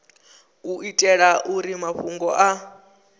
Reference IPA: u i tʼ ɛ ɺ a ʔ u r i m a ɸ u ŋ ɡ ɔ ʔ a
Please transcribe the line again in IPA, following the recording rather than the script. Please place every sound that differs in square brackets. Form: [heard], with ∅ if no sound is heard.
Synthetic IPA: u i tʼ ɛ ɺ a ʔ u [ɾ] i m a ɸ u ŋ ɡ ɔ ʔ a